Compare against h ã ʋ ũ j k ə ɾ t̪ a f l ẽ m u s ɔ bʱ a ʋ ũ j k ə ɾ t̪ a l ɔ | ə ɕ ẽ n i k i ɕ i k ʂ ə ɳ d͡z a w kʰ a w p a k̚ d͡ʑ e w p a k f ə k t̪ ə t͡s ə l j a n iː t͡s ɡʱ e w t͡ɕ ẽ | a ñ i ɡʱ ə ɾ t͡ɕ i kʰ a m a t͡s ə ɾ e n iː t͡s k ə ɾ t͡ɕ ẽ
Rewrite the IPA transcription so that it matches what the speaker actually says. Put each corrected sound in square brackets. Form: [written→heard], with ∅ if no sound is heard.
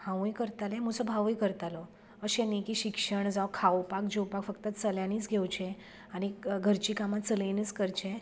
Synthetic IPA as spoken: h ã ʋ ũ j k ə ɾ t̪ a [f→∅] l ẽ m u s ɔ bʱ a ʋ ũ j k ə ɾ t̪ a l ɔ | ə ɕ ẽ n i k i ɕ i k ʂ ə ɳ d͡z a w kʰ a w p a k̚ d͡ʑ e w p a k f ə k t̪ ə t͡s ə l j a n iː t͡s ɡʱ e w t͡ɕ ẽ | a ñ i ɡʱ ə ɾ t͡ɕ i [kʰ→k] a m a t͡s ə [ɾ→l] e n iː t͡s k ə ɾ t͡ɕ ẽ